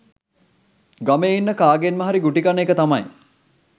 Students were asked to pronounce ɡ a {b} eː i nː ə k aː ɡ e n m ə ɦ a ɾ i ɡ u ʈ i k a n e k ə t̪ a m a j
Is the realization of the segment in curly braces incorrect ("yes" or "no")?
yes